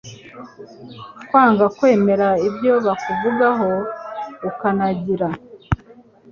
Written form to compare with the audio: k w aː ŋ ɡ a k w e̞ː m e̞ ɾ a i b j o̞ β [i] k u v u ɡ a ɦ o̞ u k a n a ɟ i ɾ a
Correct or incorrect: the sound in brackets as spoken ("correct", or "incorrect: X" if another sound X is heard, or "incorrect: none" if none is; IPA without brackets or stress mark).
incorrect: a